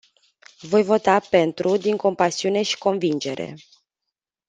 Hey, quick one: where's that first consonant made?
lips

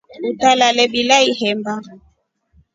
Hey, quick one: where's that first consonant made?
tongue tip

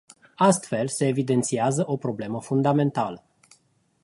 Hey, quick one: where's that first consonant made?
tongue tip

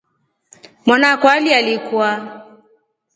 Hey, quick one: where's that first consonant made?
lips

